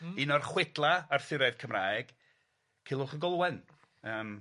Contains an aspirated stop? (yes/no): yes